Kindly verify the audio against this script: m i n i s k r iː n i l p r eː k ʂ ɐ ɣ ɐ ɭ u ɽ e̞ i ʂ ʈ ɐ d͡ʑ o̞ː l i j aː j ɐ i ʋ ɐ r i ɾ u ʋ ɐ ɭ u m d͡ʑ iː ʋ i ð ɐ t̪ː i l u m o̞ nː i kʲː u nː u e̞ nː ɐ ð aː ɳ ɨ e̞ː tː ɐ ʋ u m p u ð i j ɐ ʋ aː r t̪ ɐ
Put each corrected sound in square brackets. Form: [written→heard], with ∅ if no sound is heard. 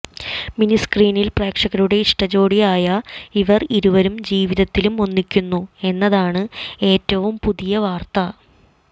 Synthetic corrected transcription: m i n i s k r iː n i l p r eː k ʂ ɐ ɣ ɐ [ɭ→ɾ] u ɽ e̞ i ʂ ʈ ɐ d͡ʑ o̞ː [l→ɽ] i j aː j ɐ i ʋ ɐ r i ɾ u ʋ ɐ [ɭ→ɾ] u m d͡ʑ iː ʋ i ð ɐ t̪ː i l u m o̞ nː i kʲː u nː u e̞ nː ɐ ð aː ɳ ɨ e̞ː tː ɐ ʋ u m p u ð i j ɐ ʋ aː r t̪ ɐ